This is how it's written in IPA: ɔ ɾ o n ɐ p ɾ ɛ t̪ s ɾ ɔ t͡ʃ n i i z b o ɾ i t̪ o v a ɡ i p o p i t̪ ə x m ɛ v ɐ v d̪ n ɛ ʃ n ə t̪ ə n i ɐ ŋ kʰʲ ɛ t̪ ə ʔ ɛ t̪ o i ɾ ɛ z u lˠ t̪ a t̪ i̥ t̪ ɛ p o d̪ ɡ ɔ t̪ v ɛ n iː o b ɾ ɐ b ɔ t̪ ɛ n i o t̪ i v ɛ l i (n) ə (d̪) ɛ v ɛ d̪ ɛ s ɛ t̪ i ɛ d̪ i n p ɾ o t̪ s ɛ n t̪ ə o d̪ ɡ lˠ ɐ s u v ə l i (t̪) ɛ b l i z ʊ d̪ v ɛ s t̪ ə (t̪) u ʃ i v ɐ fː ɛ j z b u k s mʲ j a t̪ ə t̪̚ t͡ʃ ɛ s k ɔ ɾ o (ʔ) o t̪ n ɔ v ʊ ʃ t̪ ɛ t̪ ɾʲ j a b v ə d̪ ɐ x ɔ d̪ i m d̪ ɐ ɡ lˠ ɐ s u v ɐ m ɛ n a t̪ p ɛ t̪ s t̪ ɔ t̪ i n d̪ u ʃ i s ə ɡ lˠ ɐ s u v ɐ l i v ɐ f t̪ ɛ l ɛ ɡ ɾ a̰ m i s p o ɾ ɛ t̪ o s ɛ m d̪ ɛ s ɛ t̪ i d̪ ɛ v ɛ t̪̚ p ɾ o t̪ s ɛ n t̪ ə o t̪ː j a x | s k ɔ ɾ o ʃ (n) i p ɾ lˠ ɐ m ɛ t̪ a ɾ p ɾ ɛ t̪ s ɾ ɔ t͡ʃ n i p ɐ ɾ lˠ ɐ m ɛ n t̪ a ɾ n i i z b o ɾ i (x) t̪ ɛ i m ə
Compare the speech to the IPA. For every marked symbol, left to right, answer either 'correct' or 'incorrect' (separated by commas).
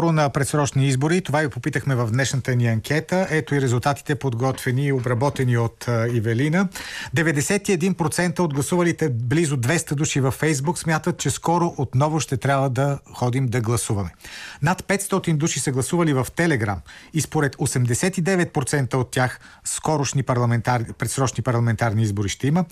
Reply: correct, correct, correct, incorrect, correct, correct, incorrect